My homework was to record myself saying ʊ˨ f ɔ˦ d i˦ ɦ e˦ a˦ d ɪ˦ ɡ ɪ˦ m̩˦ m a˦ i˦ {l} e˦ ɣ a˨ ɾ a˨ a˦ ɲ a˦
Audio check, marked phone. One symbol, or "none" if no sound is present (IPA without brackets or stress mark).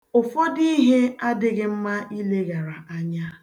l